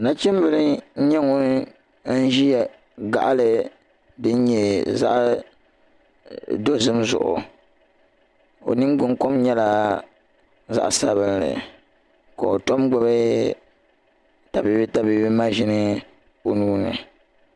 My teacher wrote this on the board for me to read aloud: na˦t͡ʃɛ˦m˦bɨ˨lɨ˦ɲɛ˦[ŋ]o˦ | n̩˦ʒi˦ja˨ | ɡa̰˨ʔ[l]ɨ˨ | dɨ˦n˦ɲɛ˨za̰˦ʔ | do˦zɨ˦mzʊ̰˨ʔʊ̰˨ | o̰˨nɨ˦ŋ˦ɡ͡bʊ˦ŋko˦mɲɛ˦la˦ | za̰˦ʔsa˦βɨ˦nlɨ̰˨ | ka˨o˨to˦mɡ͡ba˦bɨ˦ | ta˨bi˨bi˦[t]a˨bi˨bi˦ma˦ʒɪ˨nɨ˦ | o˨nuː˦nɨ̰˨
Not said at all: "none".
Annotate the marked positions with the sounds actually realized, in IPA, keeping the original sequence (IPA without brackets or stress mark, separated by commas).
ŋ, l, t